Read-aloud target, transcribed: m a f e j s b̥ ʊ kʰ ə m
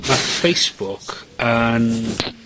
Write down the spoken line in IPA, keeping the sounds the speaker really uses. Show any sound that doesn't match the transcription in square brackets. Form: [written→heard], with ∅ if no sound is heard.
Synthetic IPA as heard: m a f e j s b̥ ʊ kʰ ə [m→n]